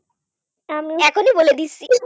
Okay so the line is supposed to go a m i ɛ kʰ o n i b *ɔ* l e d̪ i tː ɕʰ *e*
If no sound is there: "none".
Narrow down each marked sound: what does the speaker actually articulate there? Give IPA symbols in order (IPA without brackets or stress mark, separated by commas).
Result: o, i